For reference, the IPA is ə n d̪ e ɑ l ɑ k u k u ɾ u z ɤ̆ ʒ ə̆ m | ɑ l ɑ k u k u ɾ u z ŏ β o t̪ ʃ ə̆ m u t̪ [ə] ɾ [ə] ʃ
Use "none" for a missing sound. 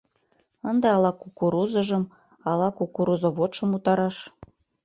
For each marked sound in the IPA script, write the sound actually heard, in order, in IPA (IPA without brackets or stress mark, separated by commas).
ɑ, ɑ